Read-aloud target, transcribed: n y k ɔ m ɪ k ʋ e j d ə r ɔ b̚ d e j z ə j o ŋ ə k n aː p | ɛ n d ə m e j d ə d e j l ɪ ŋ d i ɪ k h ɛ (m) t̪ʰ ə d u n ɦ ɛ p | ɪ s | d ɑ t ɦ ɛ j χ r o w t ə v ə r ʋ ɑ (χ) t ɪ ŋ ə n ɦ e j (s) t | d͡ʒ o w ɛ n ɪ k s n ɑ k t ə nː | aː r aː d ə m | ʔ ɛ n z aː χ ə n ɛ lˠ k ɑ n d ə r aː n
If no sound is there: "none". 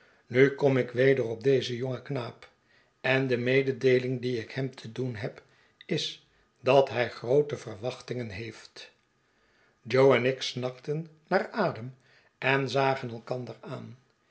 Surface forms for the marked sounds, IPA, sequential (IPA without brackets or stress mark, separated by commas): m, χ, f